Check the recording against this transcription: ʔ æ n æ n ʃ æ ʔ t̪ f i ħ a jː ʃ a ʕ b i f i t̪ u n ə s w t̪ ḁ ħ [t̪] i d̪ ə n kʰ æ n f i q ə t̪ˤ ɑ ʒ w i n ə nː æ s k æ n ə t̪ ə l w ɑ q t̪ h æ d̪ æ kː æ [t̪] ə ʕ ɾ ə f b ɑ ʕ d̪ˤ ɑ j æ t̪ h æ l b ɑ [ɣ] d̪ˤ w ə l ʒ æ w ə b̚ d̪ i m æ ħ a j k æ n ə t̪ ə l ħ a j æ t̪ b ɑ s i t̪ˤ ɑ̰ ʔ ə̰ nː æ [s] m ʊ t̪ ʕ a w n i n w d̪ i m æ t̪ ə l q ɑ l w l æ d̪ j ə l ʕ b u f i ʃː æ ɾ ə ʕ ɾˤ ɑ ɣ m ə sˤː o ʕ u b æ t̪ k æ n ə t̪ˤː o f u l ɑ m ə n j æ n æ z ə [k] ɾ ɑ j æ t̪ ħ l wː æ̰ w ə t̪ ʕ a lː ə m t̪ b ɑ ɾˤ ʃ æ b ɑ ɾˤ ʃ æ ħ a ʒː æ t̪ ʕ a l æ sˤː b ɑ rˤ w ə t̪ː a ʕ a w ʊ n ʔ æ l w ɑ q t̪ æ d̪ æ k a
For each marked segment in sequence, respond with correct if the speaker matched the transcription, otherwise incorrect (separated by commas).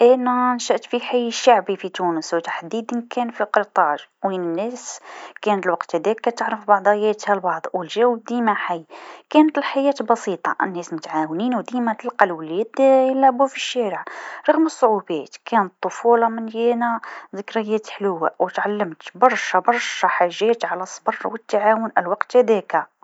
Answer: incorrect, correct, incorrect, correct, correct